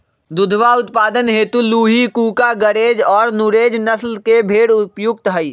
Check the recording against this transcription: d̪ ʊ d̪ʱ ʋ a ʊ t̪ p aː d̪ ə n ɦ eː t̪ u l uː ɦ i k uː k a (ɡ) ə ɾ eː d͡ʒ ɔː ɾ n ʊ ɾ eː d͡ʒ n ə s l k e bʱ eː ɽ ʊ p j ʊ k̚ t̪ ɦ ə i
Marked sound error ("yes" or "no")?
no